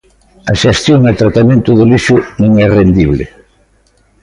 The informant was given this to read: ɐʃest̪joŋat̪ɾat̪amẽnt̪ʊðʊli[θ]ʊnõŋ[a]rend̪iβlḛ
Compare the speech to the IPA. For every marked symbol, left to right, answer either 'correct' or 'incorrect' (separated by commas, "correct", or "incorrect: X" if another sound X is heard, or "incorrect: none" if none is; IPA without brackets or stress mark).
incorrect: ʃ, incorrect: ɛ